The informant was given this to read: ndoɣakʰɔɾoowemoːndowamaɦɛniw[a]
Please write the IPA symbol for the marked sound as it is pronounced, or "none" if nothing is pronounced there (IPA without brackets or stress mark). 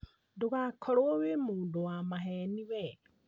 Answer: ɛ